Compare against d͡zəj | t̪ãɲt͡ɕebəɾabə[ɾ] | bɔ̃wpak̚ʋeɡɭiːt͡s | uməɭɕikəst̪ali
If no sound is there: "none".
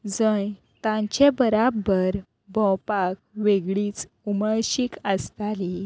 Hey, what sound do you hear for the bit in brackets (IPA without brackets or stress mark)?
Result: ɾ